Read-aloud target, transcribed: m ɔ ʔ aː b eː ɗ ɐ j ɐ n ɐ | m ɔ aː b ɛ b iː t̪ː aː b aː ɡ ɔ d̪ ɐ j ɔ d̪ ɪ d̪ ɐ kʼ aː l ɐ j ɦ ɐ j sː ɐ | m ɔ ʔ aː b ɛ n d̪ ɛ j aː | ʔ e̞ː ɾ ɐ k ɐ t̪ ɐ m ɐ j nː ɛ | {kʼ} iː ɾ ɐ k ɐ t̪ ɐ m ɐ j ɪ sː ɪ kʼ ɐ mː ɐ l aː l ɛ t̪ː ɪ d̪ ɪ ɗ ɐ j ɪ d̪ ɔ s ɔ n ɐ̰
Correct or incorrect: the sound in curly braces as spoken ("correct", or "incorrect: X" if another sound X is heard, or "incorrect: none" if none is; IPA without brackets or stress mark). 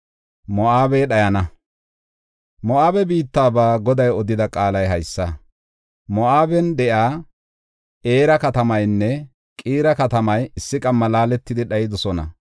correct